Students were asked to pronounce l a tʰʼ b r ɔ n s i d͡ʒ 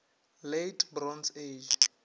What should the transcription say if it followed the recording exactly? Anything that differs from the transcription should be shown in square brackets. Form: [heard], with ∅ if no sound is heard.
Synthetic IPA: l [e] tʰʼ b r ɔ n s [e] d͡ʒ